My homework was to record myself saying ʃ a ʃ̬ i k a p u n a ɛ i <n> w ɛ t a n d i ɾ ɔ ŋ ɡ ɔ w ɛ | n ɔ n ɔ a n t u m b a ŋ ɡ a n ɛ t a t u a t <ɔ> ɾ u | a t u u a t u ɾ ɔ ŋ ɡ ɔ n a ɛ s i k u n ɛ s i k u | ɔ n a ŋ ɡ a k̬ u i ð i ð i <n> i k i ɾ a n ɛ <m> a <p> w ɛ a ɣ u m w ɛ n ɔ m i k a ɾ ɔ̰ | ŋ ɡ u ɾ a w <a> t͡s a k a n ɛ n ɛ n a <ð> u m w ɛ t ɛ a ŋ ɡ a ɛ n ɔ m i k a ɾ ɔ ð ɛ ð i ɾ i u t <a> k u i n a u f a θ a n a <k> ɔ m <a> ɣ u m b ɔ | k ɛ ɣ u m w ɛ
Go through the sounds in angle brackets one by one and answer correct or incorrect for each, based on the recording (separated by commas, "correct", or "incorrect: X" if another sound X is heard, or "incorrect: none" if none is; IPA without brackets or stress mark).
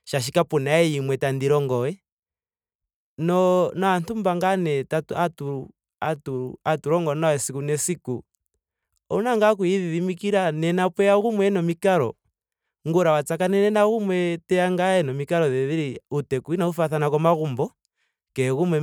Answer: incorrect: m, incorrect: u, incorrect: m, incorrect: n, correct, correct, incorrect: ɣ, incorrect: ɛ, correct, correct